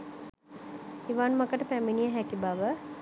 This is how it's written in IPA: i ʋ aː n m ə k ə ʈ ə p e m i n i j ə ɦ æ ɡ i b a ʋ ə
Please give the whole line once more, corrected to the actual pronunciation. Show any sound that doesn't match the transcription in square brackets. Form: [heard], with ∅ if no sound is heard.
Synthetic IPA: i ʋ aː n m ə k ə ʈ ə p [æ] m i n i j ə ɦ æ [k] i b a ʋ ə

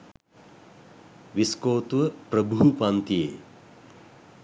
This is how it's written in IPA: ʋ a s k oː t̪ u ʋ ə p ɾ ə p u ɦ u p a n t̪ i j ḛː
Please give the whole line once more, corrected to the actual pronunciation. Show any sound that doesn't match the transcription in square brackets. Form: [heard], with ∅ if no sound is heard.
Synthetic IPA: ʋ [i] s k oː t̪ u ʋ ə p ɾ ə [b] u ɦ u p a n t̪ i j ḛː

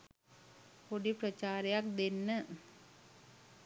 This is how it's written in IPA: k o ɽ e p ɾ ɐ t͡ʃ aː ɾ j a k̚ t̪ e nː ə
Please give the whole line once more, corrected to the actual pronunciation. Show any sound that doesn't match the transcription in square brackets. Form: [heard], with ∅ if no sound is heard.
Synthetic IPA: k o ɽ [i] p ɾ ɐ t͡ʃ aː ɾ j a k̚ [d̪] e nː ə

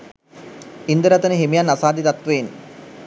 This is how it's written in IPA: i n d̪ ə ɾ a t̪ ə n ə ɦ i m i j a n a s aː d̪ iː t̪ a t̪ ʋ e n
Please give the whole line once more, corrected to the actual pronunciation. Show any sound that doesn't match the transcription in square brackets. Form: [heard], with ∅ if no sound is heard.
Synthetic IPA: i n d̪ ə ɾ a t̪ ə n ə ɦ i m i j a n a s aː d̪ [i] t̪ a t̪ ʋ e n

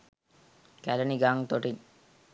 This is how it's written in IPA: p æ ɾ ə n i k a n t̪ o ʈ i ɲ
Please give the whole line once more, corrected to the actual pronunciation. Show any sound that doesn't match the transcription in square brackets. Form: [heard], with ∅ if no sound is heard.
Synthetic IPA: [k] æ [l] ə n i [ɡ] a [ŋ] t̪ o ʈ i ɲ

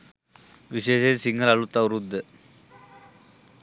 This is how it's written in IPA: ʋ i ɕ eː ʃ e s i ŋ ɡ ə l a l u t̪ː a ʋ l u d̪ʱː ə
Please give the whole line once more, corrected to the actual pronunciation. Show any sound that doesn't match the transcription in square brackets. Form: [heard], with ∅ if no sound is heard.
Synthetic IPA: ʋ i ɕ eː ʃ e s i ŋ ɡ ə l a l u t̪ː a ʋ [ɾ] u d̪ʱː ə

